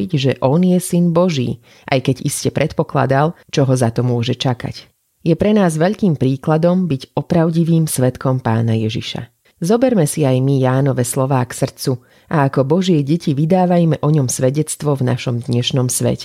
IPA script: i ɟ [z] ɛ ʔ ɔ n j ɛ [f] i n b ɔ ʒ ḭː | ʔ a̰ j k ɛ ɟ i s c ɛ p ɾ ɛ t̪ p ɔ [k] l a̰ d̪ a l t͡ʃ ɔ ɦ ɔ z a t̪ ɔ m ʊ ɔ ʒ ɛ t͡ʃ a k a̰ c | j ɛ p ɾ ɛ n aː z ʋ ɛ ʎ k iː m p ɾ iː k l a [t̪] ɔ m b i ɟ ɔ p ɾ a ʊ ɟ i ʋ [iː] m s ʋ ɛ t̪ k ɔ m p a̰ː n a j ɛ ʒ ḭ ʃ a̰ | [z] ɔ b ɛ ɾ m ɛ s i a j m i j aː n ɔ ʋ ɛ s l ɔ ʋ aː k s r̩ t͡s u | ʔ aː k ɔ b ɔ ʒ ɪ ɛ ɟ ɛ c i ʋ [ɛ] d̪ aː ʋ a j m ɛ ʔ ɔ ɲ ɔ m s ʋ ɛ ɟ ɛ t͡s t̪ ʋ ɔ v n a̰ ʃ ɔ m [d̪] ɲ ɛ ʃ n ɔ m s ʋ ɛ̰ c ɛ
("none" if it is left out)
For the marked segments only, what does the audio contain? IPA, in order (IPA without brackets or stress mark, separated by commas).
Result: ʒ, s, k, d̪, iː, z, i, d̪